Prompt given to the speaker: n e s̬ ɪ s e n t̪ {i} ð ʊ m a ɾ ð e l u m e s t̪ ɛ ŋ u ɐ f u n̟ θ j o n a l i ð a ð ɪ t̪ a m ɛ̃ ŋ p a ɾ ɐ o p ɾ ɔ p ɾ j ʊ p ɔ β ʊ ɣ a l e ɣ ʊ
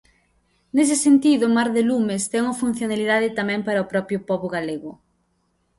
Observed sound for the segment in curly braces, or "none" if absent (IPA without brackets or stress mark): i